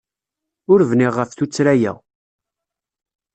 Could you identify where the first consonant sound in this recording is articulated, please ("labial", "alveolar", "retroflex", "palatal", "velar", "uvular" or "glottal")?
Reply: alveolar